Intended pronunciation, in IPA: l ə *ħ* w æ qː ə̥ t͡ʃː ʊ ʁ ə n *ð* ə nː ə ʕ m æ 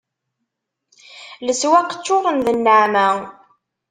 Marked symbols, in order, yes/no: no, yes

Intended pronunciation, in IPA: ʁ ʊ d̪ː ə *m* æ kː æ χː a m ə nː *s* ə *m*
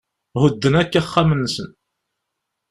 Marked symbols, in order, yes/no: no, yes, no

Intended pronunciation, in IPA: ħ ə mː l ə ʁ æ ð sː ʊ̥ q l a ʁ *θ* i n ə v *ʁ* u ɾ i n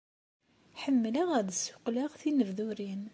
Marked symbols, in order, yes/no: yes, no

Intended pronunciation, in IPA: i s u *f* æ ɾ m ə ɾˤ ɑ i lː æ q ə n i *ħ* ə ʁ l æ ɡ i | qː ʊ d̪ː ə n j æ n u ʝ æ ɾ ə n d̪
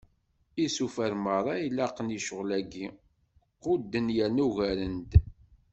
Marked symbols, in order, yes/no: yes, no

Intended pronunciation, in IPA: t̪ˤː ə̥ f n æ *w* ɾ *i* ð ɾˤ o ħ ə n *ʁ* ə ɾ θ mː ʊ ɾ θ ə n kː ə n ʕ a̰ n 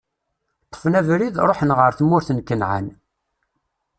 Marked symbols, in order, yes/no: no, yes, yes

